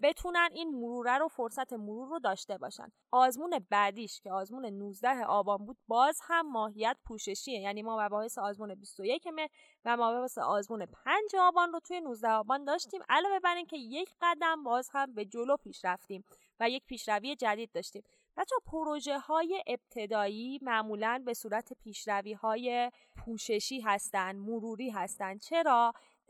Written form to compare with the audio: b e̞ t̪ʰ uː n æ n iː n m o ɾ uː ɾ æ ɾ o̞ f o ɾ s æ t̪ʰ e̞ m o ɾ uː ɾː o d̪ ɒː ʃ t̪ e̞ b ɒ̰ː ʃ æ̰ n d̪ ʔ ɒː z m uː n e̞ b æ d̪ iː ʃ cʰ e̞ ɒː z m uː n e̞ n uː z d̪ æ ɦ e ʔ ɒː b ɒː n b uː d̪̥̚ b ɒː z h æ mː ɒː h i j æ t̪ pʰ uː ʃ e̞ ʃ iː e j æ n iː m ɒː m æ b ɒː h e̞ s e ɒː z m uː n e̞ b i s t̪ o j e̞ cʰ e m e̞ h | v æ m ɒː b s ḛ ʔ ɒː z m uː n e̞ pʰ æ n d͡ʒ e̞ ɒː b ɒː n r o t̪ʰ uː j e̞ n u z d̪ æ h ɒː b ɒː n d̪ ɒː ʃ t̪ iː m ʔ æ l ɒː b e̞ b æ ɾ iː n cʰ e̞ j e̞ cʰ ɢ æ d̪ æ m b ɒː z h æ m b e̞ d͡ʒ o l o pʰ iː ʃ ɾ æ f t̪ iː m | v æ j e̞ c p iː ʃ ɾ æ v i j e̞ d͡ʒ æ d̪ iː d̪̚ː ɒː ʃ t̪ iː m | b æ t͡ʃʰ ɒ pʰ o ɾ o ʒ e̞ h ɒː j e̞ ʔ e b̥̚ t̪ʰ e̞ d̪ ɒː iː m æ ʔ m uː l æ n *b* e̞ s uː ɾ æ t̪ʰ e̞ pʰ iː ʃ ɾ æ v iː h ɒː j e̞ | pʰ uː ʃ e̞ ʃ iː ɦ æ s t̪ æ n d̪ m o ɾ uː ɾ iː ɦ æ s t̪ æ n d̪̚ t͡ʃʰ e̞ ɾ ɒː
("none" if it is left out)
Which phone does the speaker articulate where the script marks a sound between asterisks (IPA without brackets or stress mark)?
b